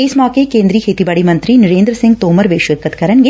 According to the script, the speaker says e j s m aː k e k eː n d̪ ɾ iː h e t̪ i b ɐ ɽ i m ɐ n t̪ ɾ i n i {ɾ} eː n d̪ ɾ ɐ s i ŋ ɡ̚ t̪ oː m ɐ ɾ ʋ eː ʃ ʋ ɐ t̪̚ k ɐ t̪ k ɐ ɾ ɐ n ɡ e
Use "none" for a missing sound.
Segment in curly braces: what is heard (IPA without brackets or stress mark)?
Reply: ɾ